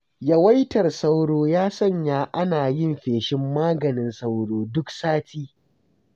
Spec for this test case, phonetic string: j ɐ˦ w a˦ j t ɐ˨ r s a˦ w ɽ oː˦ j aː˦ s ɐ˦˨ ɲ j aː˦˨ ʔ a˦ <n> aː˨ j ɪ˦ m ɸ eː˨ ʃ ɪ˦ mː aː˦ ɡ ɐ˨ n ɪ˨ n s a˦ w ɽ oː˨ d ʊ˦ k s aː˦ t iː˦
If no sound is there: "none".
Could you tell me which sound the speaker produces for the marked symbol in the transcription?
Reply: n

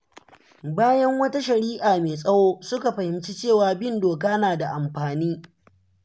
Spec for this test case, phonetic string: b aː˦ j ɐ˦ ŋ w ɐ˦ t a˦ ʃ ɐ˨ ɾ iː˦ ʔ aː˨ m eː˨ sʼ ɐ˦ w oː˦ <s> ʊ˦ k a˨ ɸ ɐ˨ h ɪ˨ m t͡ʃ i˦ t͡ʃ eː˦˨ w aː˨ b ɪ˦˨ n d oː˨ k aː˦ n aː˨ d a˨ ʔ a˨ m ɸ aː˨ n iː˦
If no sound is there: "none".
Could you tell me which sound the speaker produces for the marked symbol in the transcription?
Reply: s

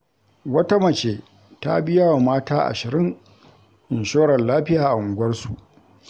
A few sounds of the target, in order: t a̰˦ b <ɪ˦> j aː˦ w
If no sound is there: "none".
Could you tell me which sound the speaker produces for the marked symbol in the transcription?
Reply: ɪ˦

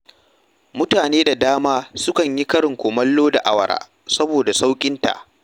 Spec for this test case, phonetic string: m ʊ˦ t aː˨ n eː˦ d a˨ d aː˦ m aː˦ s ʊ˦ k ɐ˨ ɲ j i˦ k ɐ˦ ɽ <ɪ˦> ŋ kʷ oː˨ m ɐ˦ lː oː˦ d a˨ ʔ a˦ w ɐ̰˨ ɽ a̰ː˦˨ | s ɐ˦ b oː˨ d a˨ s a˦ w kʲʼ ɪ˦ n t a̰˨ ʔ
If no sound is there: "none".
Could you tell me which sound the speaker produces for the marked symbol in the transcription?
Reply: ɪ˨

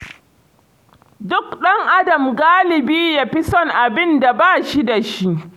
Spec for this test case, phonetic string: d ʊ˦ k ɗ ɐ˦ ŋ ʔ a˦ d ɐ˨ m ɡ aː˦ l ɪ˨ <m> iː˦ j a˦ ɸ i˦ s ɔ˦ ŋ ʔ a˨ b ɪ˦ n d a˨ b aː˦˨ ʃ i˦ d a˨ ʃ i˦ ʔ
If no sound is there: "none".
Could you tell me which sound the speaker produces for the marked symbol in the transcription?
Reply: b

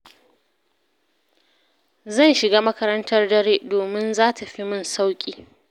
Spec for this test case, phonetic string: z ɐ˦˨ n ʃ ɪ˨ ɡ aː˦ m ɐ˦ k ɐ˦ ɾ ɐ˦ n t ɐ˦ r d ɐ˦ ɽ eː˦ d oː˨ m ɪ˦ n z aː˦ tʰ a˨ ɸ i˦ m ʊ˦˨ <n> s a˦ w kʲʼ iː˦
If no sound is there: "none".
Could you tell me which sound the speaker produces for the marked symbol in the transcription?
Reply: n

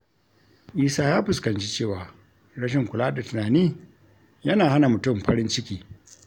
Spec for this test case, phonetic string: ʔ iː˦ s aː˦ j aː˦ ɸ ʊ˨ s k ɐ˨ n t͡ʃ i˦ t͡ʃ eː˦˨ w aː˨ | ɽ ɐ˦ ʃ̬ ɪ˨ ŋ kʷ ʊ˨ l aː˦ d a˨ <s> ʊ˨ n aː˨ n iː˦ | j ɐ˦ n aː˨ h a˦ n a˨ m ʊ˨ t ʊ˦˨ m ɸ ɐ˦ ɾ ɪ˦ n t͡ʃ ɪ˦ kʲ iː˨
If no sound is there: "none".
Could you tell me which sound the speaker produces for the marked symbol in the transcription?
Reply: t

